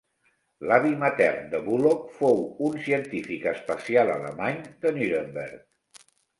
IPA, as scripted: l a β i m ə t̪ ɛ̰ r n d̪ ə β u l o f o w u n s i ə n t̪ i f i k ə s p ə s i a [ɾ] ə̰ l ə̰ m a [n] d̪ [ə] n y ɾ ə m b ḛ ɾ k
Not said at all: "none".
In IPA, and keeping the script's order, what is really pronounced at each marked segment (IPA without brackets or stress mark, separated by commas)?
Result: l, ɲ, ə